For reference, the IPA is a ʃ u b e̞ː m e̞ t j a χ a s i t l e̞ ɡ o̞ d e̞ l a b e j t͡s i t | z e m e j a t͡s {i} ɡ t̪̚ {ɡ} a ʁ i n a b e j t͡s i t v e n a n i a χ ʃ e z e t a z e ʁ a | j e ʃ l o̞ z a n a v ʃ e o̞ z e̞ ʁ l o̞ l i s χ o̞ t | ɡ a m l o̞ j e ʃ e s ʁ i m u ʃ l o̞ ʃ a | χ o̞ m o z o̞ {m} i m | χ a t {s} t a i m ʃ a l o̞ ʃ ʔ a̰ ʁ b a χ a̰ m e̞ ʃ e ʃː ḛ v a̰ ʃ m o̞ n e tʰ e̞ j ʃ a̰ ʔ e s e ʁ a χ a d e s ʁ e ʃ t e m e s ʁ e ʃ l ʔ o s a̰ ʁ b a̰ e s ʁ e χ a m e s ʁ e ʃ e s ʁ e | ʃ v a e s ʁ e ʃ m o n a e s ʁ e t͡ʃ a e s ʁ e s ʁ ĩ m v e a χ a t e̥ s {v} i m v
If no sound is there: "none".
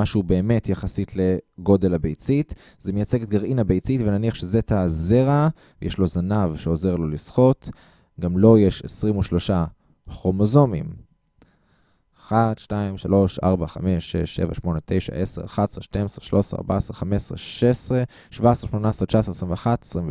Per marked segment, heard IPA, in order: e, ɡ, m, ʃ, ʁ

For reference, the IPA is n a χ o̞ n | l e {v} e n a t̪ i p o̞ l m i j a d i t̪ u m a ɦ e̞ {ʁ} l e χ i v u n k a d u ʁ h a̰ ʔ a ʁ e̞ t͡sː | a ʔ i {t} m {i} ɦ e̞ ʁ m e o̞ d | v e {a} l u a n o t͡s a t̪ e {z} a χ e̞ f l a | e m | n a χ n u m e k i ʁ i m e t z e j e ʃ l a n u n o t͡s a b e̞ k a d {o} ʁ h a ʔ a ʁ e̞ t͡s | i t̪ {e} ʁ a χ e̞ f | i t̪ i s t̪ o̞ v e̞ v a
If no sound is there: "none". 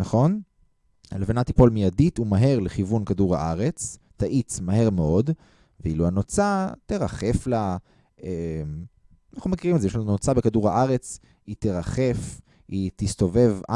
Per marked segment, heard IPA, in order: v, ʁ, t͡s, a, i, ʁ, u, e

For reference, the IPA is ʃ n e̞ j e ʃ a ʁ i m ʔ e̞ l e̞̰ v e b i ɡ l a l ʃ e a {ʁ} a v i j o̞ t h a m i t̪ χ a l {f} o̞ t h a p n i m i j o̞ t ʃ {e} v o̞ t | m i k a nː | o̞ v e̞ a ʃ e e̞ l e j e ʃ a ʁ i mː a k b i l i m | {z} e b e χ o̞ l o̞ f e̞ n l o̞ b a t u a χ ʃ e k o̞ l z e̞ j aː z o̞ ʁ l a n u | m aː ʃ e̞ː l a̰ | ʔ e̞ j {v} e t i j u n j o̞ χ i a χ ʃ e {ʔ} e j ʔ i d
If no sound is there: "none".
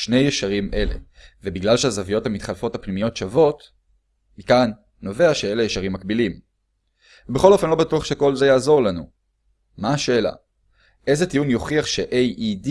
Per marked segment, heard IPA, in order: z, f, a, v, z, ʔ

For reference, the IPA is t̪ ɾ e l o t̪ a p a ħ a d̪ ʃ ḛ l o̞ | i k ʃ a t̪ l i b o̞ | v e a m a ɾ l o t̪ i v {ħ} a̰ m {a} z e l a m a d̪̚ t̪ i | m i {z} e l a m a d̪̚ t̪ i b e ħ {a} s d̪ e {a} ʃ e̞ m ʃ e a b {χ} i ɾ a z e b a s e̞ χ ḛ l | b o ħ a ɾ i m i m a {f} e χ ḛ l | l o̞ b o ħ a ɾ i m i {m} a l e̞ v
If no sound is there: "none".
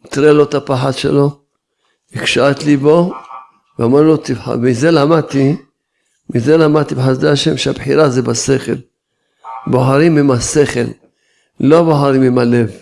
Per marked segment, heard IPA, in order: ħ, i, z, a, a, ħ, s, m

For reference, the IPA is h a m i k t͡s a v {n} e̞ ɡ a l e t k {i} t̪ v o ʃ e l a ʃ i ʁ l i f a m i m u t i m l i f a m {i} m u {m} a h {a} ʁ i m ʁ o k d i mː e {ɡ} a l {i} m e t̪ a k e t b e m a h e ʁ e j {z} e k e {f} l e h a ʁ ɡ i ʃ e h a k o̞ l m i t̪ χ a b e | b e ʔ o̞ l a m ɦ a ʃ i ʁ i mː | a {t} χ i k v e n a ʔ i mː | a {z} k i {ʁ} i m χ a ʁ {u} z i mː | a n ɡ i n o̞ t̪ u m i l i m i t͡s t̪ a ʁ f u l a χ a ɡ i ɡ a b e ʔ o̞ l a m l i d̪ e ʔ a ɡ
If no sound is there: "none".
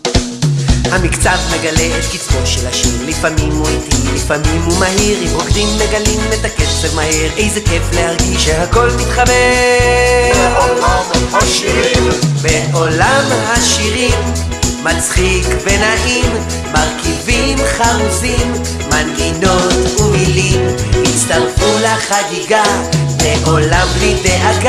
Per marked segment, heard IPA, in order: m, i, i, m, i, ɡ, i, z, f, t͡s, ʁ, v, u

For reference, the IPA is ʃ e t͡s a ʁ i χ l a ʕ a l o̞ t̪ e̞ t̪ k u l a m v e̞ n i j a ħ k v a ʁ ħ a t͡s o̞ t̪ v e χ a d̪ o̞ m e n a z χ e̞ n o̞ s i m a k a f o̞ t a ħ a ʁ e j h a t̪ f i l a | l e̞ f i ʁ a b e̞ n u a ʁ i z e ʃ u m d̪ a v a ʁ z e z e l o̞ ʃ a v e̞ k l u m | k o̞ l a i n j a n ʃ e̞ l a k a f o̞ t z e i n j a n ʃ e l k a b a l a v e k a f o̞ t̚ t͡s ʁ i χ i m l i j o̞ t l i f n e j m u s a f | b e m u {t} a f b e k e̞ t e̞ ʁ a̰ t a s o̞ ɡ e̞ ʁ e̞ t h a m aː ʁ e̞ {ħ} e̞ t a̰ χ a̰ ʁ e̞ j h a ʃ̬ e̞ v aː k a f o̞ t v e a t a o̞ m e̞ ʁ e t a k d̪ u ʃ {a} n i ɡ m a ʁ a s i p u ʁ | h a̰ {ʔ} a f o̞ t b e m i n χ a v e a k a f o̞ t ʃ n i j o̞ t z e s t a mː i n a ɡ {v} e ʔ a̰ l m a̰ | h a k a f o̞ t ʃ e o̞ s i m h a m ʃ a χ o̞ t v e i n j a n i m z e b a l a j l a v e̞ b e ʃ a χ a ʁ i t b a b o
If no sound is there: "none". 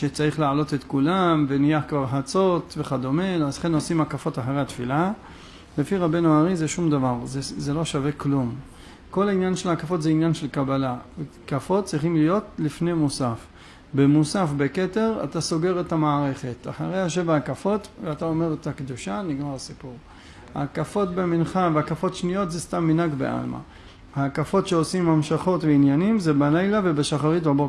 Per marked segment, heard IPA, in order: s, χ, a, k, b

